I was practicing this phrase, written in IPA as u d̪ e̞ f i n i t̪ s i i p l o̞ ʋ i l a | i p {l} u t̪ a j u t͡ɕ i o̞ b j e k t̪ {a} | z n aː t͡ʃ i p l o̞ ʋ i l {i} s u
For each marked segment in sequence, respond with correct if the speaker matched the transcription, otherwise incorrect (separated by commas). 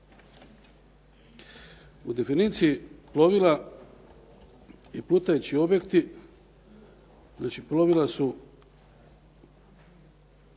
correct, incorrect, incorrect